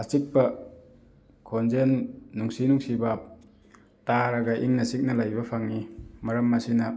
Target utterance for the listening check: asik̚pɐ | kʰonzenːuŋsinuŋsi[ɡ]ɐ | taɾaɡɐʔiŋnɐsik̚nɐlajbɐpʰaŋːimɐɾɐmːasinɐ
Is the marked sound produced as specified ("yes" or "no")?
no